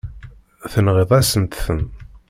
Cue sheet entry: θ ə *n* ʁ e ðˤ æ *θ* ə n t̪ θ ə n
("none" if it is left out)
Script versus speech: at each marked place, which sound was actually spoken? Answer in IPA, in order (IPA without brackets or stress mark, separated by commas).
n, s